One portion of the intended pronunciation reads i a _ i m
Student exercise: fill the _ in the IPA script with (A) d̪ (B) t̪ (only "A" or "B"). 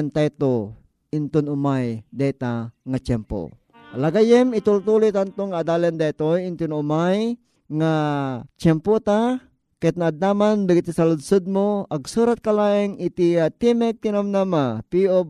B